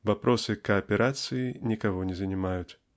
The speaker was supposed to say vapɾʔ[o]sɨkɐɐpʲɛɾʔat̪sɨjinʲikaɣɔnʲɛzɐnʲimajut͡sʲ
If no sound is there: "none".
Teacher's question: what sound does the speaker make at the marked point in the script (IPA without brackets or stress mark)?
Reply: ɔ